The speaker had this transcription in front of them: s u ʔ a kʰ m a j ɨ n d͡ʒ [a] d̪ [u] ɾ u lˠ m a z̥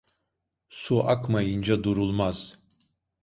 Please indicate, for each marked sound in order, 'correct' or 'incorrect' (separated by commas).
correct, correct